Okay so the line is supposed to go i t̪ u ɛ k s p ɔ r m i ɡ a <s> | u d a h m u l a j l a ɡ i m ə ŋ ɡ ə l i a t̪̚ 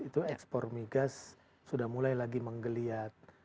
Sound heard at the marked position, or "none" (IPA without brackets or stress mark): sː